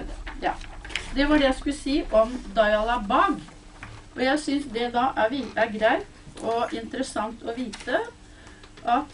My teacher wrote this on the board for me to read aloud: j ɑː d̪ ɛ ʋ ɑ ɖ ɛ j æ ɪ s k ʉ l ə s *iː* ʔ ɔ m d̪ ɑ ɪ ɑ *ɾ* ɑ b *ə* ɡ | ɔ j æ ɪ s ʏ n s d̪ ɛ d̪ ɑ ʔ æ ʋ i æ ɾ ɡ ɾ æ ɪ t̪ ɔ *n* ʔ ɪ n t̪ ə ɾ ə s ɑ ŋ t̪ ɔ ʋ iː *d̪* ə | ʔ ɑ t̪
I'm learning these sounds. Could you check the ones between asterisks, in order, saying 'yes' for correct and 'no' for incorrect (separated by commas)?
yes, no, no, no, no